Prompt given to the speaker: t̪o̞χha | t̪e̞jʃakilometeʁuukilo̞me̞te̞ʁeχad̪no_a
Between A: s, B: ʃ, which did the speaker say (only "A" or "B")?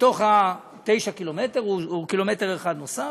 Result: A